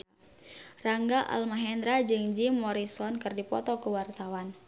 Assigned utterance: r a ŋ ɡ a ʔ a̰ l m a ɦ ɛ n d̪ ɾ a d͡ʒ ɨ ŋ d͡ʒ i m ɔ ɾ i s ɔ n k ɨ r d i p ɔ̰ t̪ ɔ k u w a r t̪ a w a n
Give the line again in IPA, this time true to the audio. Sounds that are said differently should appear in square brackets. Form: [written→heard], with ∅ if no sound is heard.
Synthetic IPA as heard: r a ŋ ɡ a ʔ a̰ l m a ɦ ɛ n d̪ ɾ a d͡ʒ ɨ ŋ d͡ʒ i m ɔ ɾ i s ɔ n k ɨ r d i p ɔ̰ t̪ ɔ k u w a r t̪ a w a n